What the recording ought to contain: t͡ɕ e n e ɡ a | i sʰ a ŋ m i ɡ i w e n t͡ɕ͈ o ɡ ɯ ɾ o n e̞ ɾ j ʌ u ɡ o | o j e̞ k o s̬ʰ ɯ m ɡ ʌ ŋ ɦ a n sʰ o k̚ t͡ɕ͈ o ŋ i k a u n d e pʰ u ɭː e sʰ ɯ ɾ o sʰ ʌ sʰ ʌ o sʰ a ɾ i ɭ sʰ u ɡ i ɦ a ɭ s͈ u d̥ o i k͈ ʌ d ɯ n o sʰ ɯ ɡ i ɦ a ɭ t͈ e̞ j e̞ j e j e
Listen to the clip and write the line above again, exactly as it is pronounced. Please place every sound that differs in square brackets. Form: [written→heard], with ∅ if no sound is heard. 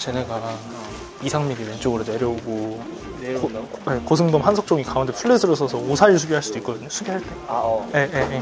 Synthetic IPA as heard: t͡ɕ e n e ɡ a | i sʰ a ŋ m i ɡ i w e n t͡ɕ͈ o ɡ ɯ ɾ o n e̞ ɾ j ʌ u ɡ o | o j e̞ k o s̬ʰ ɯ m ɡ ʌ [ŋ→m] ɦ a n sʰ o k̚ t͡ɕ͈ o ŋ i k a u n d e pʰ u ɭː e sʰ ɯ ɾ o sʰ ʌ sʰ ʌ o sʰ a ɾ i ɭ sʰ u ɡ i ɦ a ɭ s͈ u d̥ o i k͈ ʌ d ɯ [n→ɲ] o sʰ [ɯ→u] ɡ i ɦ a ɭ t͈ e̞ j e̞ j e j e